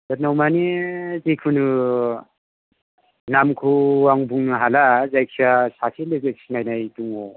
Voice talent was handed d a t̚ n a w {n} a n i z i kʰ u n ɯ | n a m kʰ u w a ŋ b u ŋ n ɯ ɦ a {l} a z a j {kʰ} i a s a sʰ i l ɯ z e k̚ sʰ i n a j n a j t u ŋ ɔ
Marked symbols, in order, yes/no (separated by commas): no, yes, yes